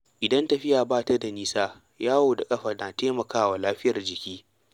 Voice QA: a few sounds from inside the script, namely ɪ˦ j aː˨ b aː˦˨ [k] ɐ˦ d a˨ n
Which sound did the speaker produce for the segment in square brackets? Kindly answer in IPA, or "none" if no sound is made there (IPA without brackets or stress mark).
t